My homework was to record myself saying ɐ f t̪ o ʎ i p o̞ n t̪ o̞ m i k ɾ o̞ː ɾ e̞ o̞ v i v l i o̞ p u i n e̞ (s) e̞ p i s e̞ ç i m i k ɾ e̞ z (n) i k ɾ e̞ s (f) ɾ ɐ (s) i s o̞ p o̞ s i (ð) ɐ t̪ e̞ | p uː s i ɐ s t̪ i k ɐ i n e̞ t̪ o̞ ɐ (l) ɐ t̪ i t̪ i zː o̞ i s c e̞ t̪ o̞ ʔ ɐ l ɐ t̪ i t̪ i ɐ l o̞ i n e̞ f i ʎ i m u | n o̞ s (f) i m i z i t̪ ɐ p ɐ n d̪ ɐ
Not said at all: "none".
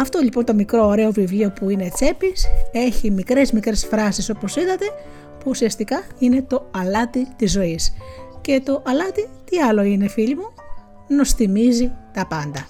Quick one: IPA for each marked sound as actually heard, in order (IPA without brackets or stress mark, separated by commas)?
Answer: t͡s, m, f, s, ð, l, θ